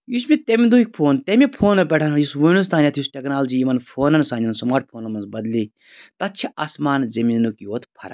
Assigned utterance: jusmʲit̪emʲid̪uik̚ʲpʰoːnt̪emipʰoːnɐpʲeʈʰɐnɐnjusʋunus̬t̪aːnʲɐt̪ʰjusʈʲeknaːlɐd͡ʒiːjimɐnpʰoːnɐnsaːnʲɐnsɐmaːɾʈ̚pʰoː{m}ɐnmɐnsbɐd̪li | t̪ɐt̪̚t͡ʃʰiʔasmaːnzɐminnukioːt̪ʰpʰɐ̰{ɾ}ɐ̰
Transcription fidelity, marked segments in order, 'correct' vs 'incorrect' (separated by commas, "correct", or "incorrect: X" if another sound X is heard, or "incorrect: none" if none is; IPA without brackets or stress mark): incorrect: n, correct